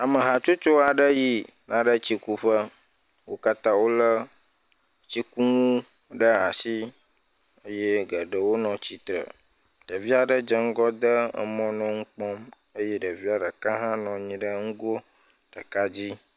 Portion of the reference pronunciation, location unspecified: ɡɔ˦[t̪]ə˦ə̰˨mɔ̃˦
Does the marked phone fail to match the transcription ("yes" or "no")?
yes